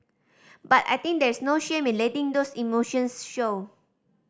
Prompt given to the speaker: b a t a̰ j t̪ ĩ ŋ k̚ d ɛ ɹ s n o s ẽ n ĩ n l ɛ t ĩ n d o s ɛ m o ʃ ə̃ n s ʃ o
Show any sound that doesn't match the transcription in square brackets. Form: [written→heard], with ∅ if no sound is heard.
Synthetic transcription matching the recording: b a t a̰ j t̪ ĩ ŋ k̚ d ɛ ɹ s n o [s→ʃ] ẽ [n→m] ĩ n l ɛ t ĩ [n→ŋ] d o s [ɛ→i] m o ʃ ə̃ n s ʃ o